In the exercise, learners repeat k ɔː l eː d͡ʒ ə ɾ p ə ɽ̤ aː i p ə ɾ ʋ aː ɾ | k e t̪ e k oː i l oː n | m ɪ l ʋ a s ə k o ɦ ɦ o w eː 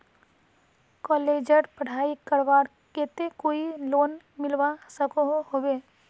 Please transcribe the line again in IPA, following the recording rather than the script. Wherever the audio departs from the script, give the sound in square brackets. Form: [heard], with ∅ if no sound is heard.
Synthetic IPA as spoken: k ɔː l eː d͡ʒ ə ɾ p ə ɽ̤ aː i [k] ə ɾ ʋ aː ɾ | k e t̪ e k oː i l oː n | m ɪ l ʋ a s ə k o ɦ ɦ o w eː